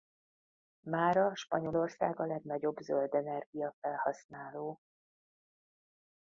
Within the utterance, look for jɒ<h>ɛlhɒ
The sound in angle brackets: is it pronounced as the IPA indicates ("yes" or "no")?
no